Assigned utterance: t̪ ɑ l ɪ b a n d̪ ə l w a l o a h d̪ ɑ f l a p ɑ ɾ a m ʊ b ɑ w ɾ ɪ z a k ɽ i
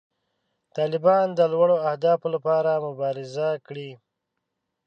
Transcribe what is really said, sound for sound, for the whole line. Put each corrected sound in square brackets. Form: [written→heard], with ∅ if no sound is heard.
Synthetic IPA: t̪ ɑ l ɪ b [a→ɑ] n d̪ ə l w a [l→ɽ] o a h d̪ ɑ f l a p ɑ ɾ a m ʊ b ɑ [w→∅] ɾ ɪ z a k ɽ i

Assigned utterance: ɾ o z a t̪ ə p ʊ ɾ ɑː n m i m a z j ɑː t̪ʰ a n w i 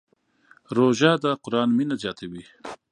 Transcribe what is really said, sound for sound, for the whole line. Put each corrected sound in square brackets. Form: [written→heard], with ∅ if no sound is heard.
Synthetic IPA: ɾ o [z→ʒ] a [t̪→d̪] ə [p→q] ʊ ɾ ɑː n m i [m→n] a z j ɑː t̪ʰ a [n→∅] w i

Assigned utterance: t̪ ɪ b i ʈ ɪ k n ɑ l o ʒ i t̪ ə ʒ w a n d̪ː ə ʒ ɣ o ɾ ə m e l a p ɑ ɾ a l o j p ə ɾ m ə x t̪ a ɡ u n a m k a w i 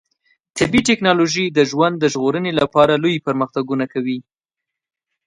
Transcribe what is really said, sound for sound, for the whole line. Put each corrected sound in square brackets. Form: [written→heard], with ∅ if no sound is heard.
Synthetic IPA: t̪ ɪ b i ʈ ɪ k n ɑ l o ʒ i [t̪→d̪] ə ʒ w a n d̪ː ə ʒ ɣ o ɾ ə [m→n] e l a p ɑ ɾ a l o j p ə ɾ m ə x t̪ a ɡ u n a [m→∅] k a w i

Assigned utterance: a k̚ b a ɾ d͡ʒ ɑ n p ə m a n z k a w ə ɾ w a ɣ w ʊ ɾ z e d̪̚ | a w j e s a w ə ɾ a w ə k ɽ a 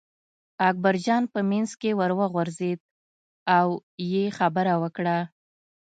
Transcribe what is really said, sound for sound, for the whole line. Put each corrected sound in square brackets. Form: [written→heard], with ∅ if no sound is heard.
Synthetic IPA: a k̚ b a ɾ d͡ʒ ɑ n p ə m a n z k [a→e] w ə ɾ w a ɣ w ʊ ɾ z e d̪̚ | a w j e [s→x] a [w→b] ə ɾ a w ə k ɽ a

